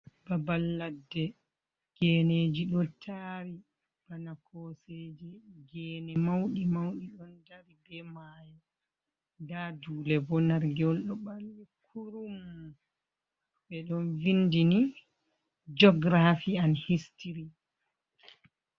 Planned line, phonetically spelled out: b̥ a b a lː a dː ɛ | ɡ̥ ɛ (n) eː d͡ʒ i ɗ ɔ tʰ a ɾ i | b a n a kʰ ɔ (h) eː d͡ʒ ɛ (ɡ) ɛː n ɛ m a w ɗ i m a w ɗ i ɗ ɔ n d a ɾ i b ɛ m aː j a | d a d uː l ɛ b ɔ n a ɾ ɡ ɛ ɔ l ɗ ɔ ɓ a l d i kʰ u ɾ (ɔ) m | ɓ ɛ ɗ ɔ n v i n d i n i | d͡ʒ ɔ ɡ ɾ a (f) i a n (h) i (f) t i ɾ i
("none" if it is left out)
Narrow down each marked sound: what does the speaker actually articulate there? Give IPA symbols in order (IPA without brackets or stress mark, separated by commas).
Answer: n, s, ɡ, u, f, h, s